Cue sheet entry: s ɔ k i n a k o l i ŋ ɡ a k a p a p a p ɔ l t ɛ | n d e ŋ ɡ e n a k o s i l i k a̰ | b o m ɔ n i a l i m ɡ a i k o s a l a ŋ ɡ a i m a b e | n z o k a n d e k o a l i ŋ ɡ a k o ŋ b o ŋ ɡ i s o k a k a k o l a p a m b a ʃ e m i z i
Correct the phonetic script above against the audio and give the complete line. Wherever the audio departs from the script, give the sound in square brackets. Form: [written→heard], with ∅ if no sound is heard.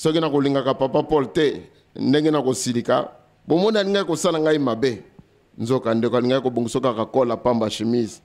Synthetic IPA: s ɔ k i n a k o l i ŋ ɡ a k a p a p a p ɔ l t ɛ | n d e ŋ ɡ e n a k o s i l i k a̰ | b o m ɔ n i a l i [m→ŋ] ɡ a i k o s a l a ŋ ɡ a i m a b e | n z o k a n d e k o a l i ŋ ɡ a k o [ŋ→∅] b o ŋ ɡ i s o k a k a k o l a p a m b a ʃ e m i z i